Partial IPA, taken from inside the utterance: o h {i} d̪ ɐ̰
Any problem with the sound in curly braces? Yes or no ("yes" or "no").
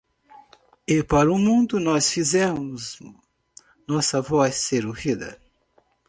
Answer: no